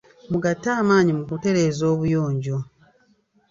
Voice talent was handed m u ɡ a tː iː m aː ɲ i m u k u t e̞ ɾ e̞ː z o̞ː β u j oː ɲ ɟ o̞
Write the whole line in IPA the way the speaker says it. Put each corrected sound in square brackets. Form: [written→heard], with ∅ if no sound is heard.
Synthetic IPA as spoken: m u ɡ a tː [iː→aː] m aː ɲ i m u k u t e̞ ɾ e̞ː z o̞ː β u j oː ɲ ɟ o̞